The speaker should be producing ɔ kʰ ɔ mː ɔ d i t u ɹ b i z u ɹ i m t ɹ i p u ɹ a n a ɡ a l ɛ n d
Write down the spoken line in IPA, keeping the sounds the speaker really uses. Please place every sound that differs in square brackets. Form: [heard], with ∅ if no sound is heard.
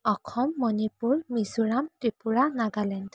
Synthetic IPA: ɔ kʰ ɔ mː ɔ [n] i [p] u ɹ [m] i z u ɹ [a] m t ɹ i p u ɹ a n a ɡ a l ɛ n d